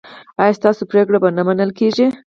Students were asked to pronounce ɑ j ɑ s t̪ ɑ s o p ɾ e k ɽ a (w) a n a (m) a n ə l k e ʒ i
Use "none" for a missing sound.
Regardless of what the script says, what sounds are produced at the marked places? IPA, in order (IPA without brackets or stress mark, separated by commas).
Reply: b, m